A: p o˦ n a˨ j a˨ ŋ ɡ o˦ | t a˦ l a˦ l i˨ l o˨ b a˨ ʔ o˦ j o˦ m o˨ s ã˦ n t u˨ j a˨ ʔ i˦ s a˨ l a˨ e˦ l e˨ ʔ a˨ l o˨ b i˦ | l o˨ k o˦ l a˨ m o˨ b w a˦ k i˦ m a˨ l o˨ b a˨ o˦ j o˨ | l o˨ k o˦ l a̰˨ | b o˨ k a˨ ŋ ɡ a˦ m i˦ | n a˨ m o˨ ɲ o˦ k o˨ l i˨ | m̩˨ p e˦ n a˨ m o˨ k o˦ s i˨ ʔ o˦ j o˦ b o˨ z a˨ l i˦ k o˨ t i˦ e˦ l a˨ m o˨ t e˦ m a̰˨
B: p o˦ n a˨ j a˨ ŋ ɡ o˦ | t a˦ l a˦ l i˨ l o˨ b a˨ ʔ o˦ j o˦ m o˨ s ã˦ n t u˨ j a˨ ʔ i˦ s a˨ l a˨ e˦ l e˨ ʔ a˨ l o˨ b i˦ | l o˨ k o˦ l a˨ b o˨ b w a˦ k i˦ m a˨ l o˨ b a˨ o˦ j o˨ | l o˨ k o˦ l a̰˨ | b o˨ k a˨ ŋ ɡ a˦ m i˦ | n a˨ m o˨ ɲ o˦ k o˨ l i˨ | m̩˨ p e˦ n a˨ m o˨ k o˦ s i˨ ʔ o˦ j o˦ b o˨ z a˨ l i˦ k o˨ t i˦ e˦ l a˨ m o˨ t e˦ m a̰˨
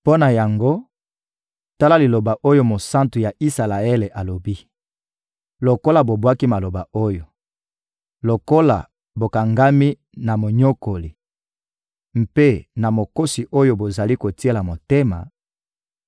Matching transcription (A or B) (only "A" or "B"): B